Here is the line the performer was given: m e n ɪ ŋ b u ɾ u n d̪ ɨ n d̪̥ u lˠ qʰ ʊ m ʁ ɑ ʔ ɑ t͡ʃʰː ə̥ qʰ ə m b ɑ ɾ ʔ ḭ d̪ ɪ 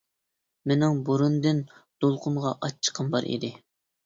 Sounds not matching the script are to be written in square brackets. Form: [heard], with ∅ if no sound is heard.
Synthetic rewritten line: m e n ɪ ŋ b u ɾ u n d̪ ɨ n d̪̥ [o] lˠ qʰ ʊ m ʁ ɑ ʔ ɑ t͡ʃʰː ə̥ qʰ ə m b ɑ ɾ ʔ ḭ d̪ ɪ